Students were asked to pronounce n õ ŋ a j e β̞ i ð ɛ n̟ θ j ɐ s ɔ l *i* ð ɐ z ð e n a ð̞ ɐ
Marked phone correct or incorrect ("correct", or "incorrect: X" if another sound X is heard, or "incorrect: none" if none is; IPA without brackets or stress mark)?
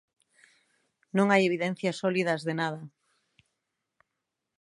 correct